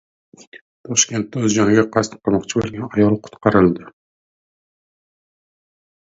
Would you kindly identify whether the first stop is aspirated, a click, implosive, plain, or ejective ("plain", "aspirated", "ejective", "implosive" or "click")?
aspirated